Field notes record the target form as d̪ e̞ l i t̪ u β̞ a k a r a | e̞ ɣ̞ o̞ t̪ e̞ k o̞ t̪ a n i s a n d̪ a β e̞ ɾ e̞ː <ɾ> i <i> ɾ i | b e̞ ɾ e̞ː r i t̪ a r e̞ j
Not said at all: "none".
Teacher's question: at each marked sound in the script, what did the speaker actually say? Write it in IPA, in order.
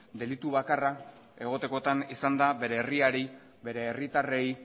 r, a

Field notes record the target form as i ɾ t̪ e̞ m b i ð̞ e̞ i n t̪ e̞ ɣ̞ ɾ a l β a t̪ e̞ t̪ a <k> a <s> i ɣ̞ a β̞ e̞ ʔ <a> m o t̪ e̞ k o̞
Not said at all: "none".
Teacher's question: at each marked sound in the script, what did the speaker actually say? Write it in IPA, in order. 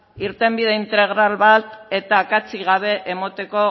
k, t͡s, e

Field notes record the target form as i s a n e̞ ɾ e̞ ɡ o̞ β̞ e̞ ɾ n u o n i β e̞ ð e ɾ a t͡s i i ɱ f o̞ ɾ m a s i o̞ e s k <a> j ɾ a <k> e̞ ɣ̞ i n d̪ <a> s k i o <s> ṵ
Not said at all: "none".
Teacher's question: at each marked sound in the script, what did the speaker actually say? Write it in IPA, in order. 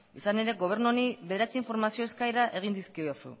a, ʔ, i, s

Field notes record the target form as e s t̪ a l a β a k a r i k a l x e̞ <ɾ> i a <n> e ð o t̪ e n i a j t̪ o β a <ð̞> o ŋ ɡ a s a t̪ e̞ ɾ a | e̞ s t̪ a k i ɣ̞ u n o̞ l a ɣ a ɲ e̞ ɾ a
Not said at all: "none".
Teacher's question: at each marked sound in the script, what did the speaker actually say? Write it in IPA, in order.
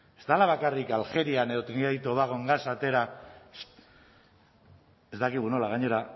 ɾ, n, ɣ̞

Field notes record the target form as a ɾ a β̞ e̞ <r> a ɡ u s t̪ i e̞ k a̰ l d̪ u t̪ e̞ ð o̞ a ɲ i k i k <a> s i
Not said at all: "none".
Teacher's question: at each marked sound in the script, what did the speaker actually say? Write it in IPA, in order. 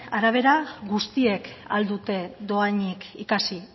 ɾ, a

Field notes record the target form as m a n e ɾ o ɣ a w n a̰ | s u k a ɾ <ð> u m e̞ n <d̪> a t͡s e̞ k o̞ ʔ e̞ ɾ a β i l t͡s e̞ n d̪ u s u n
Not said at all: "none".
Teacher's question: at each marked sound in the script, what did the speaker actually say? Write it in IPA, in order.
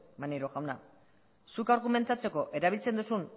ɣ, t̪

